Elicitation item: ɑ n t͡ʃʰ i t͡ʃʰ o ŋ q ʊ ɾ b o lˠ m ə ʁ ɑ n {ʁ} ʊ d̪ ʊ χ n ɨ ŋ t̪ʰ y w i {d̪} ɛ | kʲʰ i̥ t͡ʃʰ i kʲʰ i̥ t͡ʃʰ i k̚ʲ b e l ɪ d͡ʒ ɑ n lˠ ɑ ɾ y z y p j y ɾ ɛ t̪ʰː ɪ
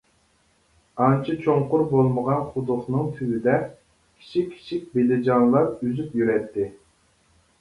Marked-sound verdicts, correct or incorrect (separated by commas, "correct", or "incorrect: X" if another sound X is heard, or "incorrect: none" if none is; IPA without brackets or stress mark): incorrect: χ, correct